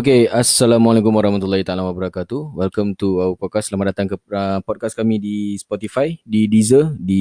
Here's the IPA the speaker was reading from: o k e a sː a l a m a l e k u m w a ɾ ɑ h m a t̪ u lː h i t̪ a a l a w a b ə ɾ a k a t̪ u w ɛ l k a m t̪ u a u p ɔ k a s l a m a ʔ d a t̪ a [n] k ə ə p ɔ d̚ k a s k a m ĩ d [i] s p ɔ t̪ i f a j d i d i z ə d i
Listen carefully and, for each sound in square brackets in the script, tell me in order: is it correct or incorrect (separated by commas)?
incorrect, correct